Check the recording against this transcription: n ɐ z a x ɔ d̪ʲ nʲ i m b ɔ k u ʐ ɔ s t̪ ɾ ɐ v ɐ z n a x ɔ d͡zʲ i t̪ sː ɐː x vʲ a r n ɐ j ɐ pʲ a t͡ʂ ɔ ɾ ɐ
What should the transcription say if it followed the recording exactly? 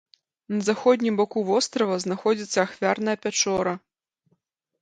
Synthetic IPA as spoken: n ɐ z a x ɔ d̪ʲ nʲ i m b ɔ k u v ɔ s t̪ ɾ ɐ v ɐ z n a x ɔ d͡zʲ i t̪ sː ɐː x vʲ a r n ɐ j ɐ pʲ a t͡ʂ ɔ ɾ ɐ